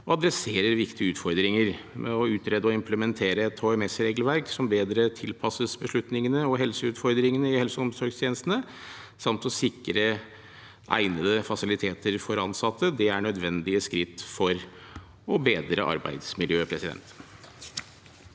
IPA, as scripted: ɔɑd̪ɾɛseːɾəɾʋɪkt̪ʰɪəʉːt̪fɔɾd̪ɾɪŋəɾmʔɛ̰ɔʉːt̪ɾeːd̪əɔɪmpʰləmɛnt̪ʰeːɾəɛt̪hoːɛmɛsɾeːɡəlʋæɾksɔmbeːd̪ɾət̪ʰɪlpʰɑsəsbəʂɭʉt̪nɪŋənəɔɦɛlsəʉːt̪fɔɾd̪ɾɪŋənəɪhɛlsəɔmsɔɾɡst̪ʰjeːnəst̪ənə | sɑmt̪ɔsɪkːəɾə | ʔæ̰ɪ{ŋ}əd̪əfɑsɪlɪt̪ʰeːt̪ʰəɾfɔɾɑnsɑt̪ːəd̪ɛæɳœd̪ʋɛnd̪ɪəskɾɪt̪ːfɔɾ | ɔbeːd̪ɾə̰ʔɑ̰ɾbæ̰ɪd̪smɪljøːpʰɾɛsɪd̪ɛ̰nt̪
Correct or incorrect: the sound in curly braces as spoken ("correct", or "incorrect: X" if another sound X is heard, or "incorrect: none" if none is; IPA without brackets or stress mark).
incorrect: n